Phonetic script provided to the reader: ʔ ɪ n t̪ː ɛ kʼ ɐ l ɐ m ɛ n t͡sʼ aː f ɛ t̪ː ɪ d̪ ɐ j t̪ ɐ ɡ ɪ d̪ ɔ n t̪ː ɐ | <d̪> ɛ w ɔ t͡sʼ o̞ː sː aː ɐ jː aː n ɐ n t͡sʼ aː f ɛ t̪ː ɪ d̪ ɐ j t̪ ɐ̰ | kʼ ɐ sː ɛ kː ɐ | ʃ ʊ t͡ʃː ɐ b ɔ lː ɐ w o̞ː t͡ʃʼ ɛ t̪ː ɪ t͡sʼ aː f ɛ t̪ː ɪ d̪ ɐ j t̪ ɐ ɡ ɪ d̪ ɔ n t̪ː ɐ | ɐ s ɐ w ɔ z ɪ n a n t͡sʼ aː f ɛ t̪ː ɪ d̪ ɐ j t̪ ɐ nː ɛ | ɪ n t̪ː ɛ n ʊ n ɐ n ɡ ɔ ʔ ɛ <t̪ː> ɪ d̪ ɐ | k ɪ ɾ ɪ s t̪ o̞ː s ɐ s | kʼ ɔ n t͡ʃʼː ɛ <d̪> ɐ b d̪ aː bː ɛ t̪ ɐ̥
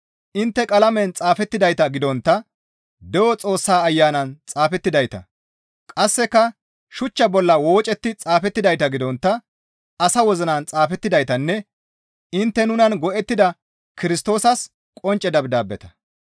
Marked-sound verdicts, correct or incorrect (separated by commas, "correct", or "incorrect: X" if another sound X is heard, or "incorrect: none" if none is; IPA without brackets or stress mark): correct, correct, correct